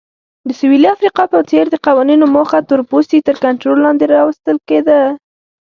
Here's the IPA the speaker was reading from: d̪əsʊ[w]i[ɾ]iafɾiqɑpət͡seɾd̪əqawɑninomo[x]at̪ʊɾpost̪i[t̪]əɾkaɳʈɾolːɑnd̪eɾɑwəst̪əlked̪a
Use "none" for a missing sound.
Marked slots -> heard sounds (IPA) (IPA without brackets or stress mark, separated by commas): w, l, x, t̪